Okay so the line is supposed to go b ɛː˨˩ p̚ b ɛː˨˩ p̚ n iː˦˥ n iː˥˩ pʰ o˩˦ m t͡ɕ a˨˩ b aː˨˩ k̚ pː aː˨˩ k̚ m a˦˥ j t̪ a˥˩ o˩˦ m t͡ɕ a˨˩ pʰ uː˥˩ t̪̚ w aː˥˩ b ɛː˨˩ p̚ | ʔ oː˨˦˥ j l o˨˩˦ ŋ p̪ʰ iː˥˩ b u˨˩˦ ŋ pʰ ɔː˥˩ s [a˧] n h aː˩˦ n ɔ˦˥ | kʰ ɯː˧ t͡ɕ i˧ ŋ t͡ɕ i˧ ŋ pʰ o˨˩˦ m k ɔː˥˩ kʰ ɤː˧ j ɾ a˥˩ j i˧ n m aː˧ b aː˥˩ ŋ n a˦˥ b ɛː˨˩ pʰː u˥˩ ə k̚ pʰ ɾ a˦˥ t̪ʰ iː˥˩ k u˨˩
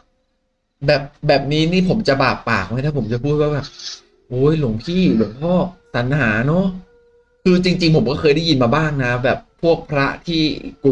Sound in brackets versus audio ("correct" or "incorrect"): incorrect